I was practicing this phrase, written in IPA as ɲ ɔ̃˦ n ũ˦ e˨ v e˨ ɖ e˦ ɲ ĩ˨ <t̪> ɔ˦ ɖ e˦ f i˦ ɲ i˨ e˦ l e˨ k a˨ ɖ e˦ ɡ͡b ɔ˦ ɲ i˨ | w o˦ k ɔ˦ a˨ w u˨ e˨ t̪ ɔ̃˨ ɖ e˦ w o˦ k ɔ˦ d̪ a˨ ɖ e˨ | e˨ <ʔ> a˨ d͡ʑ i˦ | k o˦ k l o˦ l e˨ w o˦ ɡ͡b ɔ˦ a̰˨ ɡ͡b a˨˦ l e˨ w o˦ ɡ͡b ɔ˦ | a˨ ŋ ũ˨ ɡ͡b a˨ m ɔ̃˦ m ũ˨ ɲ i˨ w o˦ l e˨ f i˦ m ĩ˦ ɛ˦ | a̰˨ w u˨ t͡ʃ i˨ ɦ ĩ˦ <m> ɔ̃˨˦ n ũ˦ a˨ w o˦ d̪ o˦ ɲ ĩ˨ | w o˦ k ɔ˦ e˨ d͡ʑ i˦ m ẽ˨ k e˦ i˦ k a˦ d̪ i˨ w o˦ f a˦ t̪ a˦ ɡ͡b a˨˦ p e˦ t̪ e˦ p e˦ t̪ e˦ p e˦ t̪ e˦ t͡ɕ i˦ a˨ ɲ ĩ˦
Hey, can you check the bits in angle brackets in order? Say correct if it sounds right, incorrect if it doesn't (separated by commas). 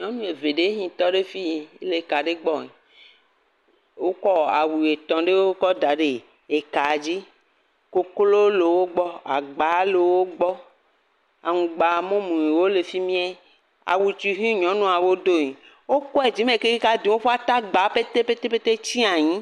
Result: correct, incorrect, incorrect